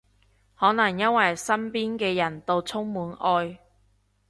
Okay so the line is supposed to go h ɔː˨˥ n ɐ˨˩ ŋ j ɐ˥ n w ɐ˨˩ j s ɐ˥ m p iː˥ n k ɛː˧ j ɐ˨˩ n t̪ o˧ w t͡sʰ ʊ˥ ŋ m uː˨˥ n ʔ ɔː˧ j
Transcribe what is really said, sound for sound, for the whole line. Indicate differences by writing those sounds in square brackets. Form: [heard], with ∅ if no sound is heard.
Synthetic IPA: h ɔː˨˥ n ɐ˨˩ ŋ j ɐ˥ n w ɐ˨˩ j s ɐ˥ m p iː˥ n k ɛː˧ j ɐ˨˩ n t̪ o˧ w t͡sʰ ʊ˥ ŋ m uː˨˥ n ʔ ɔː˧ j